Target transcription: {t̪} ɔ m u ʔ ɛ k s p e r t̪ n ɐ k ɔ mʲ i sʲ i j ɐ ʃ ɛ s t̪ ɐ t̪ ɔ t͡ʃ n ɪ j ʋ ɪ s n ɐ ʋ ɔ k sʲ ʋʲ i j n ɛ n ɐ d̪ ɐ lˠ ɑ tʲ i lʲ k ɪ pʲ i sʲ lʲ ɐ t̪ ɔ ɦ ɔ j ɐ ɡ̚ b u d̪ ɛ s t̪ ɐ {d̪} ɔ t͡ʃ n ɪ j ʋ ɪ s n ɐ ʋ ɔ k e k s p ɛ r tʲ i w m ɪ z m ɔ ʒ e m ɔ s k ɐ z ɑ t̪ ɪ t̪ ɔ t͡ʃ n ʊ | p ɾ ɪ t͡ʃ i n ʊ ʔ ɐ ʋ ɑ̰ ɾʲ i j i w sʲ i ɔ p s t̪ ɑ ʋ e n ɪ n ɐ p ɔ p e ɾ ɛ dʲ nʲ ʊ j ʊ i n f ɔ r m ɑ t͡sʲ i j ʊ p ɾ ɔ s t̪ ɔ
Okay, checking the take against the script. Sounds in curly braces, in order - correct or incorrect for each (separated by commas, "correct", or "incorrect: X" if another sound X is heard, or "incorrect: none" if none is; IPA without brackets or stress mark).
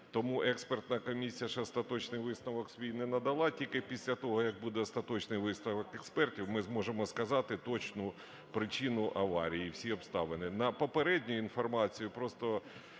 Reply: correct, incorrect: t̪